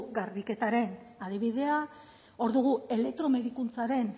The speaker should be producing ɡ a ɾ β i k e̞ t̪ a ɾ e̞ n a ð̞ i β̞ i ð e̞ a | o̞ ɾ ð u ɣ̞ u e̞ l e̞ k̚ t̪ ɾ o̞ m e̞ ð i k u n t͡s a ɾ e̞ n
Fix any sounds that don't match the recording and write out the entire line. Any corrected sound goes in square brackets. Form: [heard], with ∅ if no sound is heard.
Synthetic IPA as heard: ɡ a ɾ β i k e̞ t̪ a ɾ e̞ n a ð̞ i β̞ i ð e̞ a | o̞ ɾ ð u ɣ̞ u e̞ l e̞ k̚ t̪ ɾ o̞ m e̞ ð i k u n t͡s a ɾ e̞ n